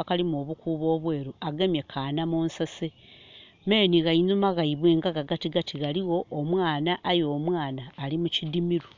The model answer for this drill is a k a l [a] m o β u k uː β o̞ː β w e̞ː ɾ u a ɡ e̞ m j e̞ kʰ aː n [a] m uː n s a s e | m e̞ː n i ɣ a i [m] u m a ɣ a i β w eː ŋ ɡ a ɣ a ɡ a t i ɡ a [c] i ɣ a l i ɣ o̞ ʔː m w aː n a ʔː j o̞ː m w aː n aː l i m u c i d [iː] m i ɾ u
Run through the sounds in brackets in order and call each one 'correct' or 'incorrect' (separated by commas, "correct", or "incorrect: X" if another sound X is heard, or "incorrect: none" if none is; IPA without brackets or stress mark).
incorrect: i, correct, incorrect: n, incorrect: t, incorrect: i